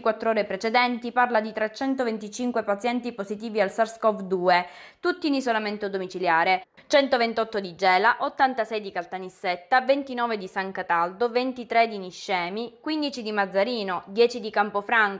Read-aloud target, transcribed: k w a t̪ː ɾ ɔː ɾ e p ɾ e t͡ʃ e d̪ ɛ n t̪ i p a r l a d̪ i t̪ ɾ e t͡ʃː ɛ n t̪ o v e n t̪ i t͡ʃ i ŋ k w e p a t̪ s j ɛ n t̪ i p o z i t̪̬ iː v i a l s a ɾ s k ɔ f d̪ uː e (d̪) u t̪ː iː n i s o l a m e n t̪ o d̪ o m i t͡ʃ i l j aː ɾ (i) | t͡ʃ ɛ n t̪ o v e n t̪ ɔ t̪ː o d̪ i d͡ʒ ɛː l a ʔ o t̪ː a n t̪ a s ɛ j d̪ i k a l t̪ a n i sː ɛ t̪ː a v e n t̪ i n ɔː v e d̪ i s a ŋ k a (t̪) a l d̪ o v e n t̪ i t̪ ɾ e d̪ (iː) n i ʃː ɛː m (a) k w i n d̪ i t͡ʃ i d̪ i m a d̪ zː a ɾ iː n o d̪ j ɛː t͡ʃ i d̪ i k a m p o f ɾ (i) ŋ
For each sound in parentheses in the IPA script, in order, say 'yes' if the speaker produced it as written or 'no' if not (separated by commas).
no, no, yes, no, no, no